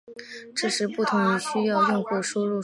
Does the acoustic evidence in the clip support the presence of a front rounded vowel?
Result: yes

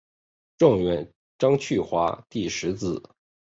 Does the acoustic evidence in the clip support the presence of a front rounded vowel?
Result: yes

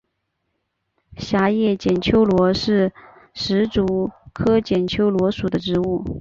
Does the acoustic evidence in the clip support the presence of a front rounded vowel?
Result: no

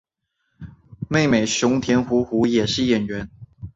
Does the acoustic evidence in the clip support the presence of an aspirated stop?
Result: yes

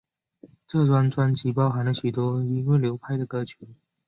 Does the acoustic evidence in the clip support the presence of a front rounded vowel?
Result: yes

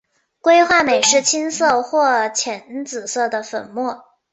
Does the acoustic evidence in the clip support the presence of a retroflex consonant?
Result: yes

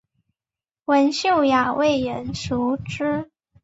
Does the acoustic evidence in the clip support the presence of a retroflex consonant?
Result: yes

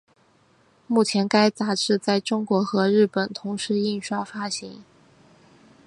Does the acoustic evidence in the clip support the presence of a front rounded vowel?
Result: no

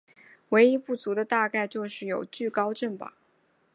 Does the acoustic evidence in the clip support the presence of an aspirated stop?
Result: no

